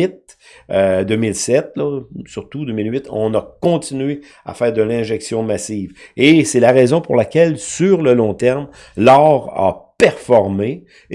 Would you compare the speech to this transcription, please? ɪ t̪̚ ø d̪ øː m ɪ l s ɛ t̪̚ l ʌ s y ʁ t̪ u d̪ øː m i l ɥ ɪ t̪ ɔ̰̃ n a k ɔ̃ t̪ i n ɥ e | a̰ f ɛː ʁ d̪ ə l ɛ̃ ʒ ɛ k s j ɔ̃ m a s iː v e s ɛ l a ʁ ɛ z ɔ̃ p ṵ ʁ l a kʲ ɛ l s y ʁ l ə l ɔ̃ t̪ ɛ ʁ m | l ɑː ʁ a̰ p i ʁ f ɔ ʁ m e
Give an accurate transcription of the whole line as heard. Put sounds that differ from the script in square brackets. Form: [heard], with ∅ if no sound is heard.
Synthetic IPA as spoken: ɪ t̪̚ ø d̪ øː m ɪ l s ɛ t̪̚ l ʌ s y ʁ t̪ u d̪ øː m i l ɥ ɪ t̪ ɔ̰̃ n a k ɔ̃ t̪ i n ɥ e | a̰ f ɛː ʁ d̪ ə l ɛ̃ ʒ ɛ k s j ɔ̃ m a s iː v e s ɛ l a ʁ ɛ z ɔ̃ p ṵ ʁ l a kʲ ɛ l s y ʁ l ə l ɔ̃ t̪ ɛ ʁ m | l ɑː ʁ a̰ p [ɛ] ʁ f ɔ ʁ m e